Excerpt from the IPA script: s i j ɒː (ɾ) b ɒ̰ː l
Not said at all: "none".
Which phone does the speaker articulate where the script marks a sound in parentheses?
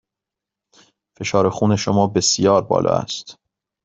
ɾ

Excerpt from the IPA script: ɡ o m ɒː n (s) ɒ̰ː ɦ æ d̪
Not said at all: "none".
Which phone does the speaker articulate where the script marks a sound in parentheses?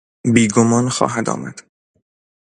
x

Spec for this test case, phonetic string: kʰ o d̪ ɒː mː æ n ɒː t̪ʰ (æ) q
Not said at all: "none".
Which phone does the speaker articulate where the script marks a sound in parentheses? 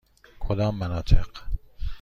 e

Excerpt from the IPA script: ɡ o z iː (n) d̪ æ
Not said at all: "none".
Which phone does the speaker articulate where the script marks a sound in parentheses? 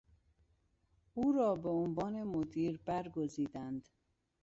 none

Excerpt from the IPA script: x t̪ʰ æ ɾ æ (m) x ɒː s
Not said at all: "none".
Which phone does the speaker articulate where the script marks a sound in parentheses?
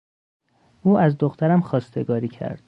m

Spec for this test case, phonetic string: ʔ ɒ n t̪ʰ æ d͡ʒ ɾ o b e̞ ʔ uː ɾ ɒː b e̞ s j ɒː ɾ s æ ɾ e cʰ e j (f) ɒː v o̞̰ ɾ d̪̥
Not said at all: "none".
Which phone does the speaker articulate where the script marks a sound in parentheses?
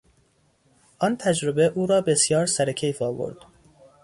f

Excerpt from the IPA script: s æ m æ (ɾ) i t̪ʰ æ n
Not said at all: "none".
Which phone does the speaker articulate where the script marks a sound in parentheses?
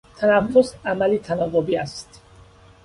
l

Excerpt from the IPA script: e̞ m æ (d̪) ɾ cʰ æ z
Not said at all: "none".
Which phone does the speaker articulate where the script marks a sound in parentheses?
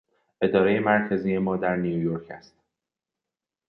none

